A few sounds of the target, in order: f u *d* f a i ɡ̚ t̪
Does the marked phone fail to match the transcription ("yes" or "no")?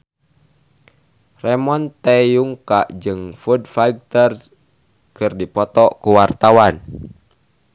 no